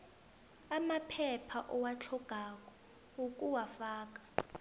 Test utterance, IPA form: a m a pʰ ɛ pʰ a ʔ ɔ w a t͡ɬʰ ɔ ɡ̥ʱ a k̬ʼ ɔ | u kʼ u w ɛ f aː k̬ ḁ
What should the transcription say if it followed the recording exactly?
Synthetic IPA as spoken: a m a pʰ ɛ pʰ a ʔ ɔ w a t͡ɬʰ ɔ ɡ̥ʱ a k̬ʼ ɔ | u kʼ u w a f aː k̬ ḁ